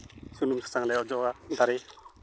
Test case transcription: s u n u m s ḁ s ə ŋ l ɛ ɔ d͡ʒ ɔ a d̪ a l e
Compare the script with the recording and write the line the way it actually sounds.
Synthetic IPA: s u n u m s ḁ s a ŋ l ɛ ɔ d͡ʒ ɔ a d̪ a ɾ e